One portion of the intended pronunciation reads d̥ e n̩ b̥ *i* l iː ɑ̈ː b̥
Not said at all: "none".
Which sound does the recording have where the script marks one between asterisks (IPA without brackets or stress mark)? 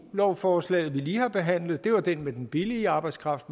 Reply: i